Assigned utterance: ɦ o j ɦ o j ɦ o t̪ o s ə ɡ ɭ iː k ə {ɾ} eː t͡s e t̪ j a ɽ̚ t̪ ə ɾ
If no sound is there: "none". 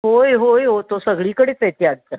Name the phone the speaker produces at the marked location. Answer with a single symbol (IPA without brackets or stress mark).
ɽ